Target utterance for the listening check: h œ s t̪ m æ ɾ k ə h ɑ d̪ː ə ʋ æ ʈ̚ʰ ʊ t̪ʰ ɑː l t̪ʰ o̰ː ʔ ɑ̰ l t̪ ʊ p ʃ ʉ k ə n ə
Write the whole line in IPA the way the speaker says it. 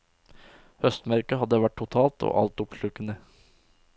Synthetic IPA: h œ s t̪ m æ ɾ k ə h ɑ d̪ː ə ʋ æ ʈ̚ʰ ʊ t̪ʰ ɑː l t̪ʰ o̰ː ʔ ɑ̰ l t̪ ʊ p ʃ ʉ k ə n ə